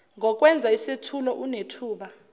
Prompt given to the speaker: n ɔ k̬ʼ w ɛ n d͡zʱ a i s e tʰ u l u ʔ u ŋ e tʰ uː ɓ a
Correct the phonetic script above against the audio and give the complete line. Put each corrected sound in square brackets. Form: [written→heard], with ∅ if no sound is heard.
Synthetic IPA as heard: [n→ŋ] ɔ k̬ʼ w ɛ n d͡zʱ a i s e tʰ u l [u→ɔ] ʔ u [ŋ→n] e tʰ uː ɓ a